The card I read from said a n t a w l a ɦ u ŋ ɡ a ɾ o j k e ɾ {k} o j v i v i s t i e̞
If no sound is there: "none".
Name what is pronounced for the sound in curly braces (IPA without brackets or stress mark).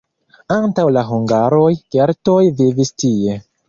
t